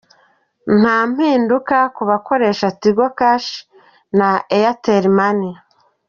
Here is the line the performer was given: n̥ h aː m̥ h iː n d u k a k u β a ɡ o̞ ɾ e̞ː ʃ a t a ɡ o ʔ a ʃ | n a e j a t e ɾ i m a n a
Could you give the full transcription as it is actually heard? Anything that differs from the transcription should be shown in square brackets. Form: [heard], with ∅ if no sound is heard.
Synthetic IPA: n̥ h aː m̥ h iː n d u k a k u β a [k] o̞ ɾ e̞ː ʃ a t [i] ɡ o [k] a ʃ | n a e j a t e ɾ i m a n [i]